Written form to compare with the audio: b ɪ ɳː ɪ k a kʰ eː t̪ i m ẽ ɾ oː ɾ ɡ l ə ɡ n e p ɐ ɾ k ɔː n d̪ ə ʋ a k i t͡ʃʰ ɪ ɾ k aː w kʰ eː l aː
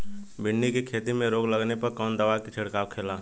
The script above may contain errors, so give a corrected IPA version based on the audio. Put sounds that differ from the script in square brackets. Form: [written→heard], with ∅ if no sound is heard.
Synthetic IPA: b ɪ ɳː [ɪ→i] k [a→e] kʰ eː t̪ i m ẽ ɾ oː [ɾ→∅] ɡ l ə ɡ n e p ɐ ɾ k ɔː n d̪ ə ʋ a k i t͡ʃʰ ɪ [ɾ→ɽ] k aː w kʰ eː l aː

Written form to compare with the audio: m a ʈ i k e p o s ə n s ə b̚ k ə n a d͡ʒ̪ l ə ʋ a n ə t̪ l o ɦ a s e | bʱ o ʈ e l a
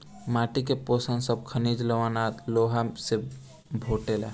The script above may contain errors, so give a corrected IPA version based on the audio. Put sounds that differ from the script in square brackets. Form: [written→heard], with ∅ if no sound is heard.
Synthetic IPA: m a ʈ i k e p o s ə n s ə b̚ [k→kʰ] ə n [a→i] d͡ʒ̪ l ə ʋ a n [ə→a] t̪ l o ɦ a s e | bʱ o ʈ e l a

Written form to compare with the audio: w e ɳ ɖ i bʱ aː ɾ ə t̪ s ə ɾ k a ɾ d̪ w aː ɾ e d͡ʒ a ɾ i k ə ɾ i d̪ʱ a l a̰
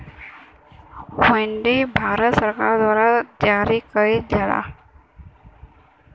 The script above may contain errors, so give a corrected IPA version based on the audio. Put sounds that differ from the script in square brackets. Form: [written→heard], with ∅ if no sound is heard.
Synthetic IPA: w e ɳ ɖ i bʱ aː ɾ ə t̪ s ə ɾ k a ɾ d̪ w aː ɾ [e→a] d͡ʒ a ɾ i k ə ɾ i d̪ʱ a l a̰

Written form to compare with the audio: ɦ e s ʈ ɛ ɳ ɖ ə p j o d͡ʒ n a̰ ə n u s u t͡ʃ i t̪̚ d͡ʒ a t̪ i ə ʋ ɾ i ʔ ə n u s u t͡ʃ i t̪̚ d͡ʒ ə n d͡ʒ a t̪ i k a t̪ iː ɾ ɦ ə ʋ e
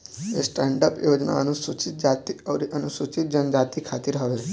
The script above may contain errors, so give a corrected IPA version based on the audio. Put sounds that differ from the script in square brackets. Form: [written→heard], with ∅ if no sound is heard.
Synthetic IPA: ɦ e s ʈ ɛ ɳ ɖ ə p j o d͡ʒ n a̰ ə n u s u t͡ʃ i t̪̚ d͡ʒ a t̪ i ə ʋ ɾ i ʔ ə n u s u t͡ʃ i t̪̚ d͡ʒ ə n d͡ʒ a t̪ i [k→kʰ] a t̪ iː ɾ ɦ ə ʋ e

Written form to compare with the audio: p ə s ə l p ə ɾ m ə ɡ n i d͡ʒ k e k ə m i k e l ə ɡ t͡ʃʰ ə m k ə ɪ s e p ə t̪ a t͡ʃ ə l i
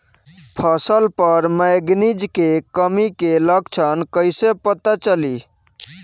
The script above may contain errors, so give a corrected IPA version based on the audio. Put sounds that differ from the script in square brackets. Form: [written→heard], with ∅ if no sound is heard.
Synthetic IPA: [p→pʰ] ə s ə l p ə ɾ m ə ɡ n i d͡ʒ k e k ə m i k e l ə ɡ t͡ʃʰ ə [m→n] k ə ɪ s e p ə t̪ a t͡ʃ ə l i

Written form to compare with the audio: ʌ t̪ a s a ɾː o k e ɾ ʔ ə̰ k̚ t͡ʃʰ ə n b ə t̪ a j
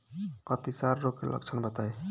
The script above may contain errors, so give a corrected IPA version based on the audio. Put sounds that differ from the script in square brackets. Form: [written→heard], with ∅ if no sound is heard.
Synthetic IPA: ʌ t̪ [a→i] s a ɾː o k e [ɾ→l] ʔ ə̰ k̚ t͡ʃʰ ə n b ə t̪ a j

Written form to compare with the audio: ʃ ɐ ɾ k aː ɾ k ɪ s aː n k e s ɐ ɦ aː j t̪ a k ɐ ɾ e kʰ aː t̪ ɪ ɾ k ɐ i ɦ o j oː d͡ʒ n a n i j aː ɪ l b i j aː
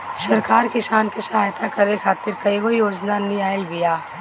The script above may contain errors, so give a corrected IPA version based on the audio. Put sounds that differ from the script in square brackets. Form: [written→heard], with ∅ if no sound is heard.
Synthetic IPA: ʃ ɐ ɾ k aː ɾ k ɪ s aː n k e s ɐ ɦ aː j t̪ a k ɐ ɾ e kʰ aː t̪ ɪ ɾ k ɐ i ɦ o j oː d͡ʒ n a n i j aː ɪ l b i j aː

